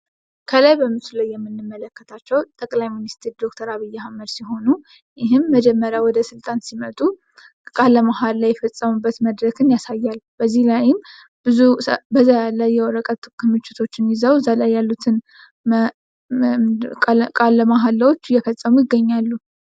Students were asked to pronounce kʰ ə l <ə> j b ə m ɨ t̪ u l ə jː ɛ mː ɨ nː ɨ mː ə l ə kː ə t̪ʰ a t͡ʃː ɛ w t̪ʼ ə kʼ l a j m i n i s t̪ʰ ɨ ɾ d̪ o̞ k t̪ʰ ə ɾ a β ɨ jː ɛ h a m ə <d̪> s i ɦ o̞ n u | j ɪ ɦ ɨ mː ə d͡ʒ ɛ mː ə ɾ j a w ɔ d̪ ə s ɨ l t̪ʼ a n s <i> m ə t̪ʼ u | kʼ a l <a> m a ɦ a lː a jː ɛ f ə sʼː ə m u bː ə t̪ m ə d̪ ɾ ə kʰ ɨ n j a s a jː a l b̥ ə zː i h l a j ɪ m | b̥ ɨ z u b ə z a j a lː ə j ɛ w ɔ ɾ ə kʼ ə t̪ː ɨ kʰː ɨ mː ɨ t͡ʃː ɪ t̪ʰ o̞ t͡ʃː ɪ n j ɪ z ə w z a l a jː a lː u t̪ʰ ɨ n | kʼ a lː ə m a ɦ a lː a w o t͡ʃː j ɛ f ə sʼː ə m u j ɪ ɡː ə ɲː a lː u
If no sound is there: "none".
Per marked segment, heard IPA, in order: a, d̪, i, ə

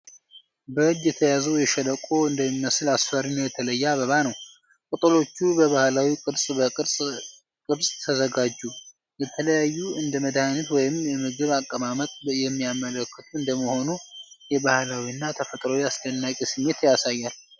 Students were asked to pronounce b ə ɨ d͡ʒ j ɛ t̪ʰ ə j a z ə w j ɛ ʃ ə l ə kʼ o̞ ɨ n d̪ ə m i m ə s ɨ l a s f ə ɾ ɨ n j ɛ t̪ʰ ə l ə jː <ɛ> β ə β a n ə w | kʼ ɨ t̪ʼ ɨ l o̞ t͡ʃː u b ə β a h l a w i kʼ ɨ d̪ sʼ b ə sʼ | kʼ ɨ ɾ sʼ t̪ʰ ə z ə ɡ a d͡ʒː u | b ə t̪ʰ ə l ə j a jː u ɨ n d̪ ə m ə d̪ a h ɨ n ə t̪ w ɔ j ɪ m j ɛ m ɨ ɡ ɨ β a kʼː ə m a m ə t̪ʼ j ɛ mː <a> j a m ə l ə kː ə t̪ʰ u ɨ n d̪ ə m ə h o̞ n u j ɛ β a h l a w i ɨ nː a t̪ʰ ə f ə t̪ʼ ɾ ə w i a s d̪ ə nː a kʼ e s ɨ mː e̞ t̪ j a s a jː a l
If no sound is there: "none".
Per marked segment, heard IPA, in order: a, i

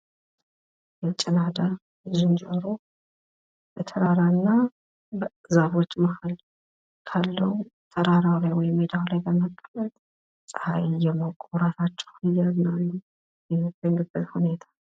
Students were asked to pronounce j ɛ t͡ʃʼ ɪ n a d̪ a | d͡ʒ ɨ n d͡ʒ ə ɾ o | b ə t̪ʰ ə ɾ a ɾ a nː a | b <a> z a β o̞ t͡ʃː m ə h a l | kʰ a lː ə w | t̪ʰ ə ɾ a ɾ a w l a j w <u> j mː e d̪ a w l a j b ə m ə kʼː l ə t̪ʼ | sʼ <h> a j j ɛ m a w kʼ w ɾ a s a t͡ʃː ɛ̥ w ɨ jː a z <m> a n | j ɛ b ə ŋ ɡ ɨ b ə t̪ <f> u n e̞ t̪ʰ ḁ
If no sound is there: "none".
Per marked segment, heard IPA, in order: ə, ɔ, h, n, h

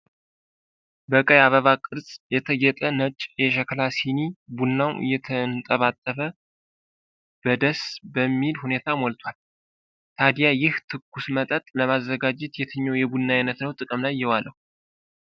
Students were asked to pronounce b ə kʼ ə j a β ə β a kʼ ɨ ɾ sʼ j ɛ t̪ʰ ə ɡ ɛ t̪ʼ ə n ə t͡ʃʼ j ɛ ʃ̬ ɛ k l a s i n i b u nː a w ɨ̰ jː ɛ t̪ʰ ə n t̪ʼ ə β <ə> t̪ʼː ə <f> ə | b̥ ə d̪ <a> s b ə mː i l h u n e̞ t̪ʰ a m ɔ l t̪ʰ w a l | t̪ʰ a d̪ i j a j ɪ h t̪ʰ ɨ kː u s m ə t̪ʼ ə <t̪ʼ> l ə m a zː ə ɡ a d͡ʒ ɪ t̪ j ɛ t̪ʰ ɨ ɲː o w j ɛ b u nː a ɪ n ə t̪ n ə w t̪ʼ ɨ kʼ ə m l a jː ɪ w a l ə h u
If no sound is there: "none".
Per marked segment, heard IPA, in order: a, f, ə, t̪ʼ

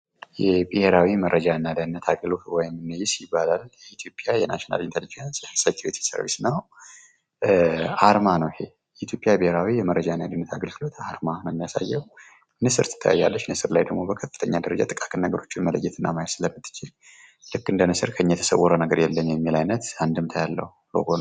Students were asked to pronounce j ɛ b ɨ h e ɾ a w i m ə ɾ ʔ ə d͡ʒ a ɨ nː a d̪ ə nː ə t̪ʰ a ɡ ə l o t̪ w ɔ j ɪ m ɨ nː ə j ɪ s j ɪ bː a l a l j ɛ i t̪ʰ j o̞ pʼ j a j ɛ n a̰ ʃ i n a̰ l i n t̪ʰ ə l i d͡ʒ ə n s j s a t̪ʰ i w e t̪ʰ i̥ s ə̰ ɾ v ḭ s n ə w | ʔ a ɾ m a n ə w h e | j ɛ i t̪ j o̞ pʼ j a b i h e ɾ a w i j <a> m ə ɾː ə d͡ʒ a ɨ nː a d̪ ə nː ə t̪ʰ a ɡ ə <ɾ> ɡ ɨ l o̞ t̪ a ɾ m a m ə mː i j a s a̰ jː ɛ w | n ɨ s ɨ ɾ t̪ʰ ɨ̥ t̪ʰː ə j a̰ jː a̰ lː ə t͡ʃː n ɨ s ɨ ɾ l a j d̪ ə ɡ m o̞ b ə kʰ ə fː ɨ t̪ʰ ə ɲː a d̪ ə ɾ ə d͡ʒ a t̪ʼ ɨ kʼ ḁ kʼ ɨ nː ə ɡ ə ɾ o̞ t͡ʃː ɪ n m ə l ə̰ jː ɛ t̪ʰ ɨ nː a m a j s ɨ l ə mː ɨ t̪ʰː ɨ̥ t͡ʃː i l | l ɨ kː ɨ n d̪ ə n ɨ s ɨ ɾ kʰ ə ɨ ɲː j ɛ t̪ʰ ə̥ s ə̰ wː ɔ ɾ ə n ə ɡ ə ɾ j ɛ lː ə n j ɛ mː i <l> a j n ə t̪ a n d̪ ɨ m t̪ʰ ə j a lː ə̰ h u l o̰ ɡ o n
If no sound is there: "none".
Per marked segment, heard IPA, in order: ɛ, l, l

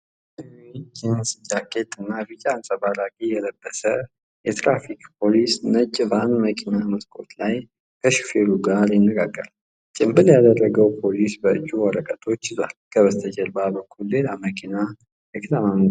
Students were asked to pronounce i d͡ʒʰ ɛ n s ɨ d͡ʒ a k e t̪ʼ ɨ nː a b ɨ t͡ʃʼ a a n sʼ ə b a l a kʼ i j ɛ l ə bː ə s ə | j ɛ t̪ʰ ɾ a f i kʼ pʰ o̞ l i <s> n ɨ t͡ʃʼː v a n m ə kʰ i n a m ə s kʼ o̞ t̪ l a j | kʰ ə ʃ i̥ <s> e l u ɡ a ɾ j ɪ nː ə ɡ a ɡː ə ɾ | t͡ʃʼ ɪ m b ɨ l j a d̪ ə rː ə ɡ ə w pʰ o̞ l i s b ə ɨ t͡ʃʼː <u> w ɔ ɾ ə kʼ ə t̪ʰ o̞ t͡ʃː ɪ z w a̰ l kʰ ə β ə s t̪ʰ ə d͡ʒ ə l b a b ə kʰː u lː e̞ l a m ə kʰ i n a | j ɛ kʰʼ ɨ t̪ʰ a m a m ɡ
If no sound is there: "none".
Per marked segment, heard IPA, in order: s, f, u

